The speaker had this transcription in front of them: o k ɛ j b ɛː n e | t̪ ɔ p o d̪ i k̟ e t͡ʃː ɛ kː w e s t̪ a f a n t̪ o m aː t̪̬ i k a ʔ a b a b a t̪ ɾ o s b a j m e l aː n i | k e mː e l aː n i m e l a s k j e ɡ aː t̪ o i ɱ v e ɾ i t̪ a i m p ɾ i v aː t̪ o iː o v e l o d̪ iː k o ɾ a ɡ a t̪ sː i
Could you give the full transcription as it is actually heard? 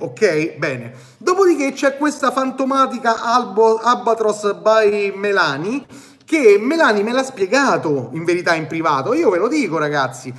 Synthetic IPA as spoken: o k ɛ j b ɛː n e | d̪ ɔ p o d̪ i k̟ e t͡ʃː ɛ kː w e s t̪ a f a n t̪ o m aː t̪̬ i k a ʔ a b a b a t̪ ɾ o s b a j m e l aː n i | k e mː e l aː n i m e l a s p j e ɡ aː t̪ o i ɱ v e ɾ i t̪ a i m p ɾ i v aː t̪ o iː o v e l o d̪ iː k o ɾ a ɡ a t̪ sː i